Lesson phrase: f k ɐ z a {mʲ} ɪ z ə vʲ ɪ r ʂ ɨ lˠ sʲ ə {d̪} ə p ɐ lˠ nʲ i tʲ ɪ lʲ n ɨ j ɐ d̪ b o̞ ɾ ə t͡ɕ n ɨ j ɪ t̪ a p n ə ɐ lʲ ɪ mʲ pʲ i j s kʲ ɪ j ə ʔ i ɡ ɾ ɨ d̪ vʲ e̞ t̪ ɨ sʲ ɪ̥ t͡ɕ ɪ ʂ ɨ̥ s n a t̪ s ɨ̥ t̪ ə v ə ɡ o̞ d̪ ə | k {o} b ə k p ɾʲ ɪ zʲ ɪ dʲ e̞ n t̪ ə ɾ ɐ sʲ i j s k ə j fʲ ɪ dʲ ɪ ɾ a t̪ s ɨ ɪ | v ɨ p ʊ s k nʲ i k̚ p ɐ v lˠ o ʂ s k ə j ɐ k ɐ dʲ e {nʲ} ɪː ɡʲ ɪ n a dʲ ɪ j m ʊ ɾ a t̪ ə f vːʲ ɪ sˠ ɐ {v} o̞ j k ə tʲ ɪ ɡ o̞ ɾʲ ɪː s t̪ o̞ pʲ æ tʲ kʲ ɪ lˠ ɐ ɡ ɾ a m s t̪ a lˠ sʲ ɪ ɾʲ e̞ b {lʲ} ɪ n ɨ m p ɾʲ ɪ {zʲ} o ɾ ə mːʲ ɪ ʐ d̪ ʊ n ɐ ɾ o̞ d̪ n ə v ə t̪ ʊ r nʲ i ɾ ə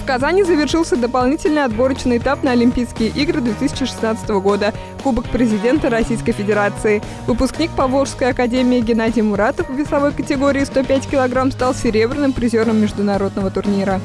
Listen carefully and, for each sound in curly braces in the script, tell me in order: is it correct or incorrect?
incorrect: nʲ, correct, incorrect: u, incorrect: mʲ, correct, incorrect: ɾʲ, correct

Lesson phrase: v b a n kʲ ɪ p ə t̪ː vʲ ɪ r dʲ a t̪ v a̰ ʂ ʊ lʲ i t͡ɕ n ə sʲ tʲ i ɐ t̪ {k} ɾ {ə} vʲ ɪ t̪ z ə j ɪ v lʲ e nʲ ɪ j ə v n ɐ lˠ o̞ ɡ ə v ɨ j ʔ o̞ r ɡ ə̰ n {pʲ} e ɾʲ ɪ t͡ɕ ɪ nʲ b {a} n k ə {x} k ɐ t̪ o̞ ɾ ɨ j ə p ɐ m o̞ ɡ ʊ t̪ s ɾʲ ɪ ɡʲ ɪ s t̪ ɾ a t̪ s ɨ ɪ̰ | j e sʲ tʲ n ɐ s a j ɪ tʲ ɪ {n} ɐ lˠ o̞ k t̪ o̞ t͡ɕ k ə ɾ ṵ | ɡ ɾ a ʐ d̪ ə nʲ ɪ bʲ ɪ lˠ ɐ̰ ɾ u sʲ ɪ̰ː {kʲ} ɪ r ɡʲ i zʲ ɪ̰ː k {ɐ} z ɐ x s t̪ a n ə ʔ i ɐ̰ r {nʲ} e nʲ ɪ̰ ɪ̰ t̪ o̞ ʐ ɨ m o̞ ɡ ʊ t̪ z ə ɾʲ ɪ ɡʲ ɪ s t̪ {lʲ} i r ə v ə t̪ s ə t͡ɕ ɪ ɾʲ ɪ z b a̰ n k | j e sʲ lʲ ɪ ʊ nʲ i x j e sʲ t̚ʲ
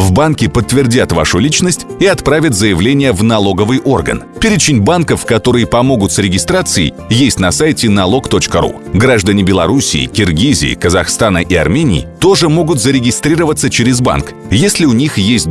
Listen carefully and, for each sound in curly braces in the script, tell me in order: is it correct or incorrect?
incorrect: p, incorrect: a, correct, correct, incorrect: f, correct, correct, incorrect: ə, incorrect: mʲ, incorrect: ɾʲ

